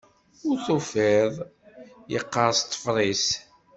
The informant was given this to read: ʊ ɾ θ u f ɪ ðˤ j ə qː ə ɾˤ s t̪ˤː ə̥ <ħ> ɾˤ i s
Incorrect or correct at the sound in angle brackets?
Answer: incorrect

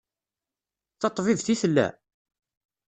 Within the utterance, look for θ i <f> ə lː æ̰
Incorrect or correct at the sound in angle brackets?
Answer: incorrect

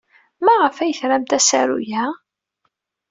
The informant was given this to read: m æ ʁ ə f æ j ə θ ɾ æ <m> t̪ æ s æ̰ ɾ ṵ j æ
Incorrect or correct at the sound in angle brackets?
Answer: correct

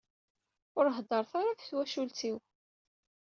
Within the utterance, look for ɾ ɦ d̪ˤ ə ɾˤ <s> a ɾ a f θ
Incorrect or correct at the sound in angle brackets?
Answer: incorrect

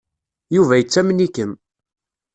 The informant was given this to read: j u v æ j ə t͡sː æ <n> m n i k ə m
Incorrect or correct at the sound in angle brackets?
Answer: incorrect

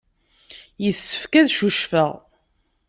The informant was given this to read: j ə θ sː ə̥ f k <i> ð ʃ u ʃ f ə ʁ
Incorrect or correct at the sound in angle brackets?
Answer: incorrect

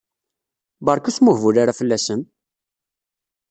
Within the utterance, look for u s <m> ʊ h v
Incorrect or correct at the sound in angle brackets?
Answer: correct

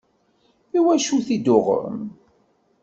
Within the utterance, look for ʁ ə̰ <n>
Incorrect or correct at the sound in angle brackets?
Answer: incorrect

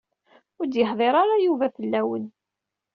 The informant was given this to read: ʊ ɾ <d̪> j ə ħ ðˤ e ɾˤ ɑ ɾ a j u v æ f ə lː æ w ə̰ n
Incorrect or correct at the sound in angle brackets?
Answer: correct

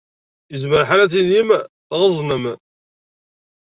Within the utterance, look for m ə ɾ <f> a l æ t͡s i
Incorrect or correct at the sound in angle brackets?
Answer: incorrect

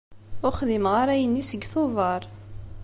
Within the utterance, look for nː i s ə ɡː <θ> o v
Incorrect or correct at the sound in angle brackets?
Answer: correct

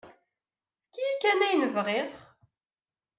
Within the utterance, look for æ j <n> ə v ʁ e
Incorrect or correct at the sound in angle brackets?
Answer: correct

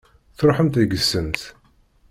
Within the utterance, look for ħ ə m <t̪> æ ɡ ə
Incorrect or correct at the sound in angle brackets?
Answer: correct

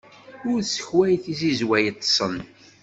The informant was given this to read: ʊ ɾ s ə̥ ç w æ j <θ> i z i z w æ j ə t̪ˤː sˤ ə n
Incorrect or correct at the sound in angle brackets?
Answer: correct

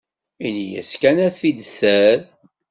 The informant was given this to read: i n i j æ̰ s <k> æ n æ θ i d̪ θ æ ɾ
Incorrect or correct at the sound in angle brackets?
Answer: correct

